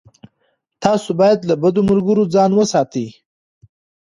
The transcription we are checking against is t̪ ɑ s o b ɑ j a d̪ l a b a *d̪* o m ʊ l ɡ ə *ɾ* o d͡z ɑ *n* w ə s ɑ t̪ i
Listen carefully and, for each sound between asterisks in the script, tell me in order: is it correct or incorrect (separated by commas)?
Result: correct, correct, correct